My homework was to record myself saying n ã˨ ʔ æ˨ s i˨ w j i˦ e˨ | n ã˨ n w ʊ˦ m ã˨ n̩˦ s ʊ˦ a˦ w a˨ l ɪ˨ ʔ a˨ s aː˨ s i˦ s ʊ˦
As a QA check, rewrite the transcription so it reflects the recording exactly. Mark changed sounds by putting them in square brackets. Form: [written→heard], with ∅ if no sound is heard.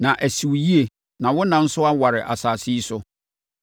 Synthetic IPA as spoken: n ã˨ ʔ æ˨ s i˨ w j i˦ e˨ | n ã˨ [n→∅] w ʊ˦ [m→n] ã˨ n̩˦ s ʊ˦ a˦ w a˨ [l→ɾ] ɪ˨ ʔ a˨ s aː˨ s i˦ s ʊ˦